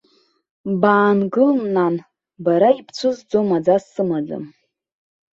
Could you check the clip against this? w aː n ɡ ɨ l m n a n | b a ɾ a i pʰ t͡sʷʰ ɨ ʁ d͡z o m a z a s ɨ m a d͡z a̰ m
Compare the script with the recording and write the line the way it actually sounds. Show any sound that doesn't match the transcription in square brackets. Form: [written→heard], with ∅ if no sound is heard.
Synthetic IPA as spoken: [w→b] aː n ɡ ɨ l m n a n | b a ɾ a i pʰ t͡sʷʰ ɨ [ʁ→z] d͡z o m a [z→d͡z] a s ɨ m a d͡z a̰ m